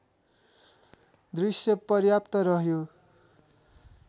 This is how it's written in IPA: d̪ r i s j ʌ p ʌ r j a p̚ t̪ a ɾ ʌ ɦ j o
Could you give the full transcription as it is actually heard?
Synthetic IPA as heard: d̪ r i s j ʌ p ʌ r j a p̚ t̪ ʌ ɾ ʌ ɦ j o